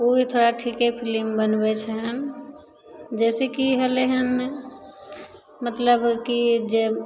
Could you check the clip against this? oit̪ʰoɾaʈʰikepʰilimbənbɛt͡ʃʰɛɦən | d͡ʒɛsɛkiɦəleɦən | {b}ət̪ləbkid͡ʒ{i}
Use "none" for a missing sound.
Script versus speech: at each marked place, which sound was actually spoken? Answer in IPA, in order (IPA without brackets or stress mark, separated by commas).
m, e